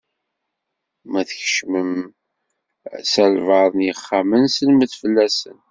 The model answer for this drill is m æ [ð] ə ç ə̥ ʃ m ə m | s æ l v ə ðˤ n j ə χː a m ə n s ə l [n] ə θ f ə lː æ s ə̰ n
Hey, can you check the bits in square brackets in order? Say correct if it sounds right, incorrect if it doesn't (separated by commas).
incorrect, incorrect